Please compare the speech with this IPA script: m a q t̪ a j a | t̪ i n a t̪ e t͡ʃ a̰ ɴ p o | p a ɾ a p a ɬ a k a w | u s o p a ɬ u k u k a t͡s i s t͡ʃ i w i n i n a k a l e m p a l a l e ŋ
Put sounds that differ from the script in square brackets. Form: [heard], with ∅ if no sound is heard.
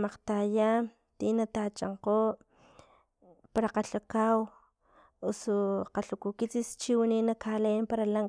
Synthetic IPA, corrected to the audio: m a q t̪ a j a | t̪ i n a t̪ [a] t͡ʃ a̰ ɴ [q] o | p a ɾ a [q] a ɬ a k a w | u s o [q] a ɬ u k u k [i] t͡s i s t͡ʃ i w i n i n a k a l e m p a [ɾ] a l [a] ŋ